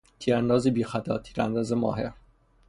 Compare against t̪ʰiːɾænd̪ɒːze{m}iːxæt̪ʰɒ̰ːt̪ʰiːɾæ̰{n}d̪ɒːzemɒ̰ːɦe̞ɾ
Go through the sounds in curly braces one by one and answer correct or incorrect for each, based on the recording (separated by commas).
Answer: incorrect, correct